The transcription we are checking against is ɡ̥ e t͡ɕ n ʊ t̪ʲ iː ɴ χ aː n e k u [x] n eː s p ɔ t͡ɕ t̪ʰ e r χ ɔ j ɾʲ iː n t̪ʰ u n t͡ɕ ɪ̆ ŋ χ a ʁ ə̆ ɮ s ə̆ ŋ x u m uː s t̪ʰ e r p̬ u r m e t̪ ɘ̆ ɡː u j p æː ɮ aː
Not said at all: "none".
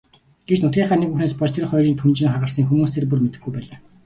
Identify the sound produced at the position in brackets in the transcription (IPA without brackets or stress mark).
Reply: x